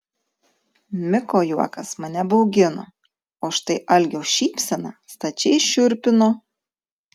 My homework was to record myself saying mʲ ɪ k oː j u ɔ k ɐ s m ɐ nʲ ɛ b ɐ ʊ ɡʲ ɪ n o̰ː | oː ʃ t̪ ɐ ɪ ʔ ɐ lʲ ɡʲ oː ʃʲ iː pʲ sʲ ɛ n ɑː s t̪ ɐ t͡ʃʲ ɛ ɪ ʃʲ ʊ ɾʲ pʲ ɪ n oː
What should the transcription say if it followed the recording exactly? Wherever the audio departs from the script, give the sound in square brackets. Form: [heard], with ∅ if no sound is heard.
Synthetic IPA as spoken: mʲ ɪ k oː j u ɔ k ɐ s m ɐ nʲ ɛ b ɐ ʊ ɡʲ ɪ n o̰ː | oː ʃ t̪ ɐ ɪ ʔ ɐ lʲ ɡʲ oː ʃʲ iː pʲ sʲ ɛ n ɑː s t̪ ɐ t͡ʃʲ ɛ ɪ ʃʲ ʊ ɾʲ pʲ ɪ n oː